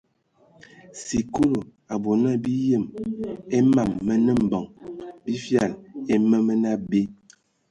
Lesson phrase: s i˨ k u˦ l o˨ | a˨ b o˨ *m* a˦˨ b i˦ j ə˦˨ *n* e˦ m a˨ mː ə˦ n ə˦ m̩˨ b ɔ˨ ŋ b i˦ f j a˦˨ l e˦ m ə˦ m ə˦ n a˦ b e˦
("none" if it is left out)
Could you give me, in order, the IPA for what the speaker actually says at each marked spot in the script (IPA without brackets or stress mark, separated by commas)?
n, m